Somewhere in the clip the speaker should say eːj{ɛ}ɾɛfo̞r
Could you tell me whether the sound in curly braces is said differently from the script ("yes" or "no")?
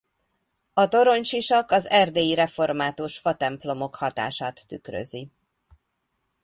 yes